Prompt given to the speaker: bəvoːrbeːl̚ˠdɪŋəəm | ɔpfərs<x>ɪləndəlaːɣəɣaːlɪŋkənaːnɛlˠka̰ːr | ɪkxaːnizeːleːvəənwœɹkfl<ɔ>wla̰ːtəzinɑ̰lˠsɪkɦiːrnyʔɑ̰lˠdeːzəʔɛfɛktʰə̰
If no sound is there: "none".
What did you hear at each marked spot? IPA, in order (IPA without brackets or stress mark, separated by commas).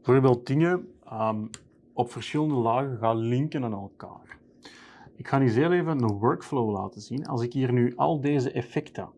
x, o